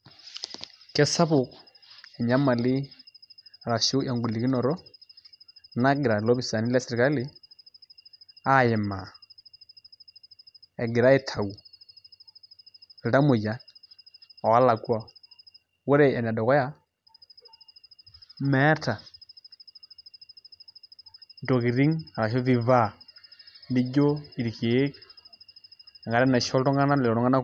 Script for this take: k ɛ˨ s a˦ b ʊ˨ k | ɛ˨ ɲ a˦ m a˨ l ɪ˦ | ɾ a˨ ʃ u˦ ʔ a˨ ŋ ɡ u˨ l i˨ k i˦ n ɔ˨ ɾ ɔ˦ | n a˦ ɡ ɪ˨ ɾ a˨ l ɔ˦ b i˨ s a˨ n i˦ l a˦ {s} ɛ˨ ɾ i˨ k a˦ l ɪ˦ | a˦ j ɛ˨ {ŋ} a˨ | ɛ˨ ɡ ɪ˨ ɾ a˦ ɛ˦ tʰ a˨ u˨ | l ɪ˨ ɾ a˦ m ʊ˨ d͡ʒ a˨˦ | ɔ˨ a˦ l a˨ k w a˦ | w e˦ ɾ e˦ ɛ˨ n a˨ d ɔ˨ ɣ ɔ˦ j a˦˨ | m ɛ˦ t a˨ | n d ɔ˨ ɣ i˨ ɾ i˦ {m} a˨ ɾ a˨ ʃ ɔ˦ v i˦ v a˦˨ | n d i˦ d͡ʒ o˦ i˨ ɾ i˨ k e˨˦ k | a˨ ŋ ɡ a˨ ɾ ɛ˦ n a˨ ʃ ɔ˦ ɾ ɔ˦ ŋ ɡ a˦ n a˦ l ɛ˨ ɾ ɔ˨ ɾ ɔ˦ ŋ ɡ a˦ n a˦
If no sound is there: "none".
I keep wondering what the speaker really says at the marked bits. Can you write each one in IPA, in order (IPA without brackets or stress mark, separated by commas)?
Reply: s, m, ŋ